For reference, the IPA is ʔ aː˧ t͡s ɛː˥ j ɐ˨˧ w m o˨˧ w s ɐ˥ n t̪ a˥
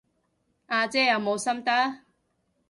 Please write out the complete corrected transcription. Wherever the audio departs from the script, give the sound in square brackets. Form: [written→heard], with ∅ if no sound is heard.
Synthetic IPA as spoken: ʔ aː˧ t͡s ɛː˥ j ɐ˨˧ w m o˨˧ w s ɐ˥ [n→m] t̪ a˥